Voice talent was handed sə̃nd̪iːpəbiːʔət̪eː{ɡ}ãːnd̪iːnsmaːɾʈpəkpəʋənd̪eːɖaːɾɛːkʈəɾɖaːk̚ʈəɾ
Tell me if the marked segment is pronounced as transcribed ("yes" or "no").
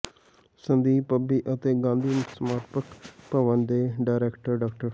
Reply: yes